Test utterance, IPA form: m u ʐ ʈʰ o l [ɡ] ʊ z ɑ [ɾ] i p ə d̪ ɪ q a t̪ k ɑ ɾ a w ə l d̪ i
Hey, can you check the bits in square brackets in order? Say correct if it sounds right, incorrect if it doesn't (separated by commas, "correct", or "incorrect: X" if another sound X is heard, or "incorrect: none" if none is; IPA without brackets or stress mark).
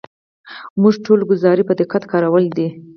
correct, correct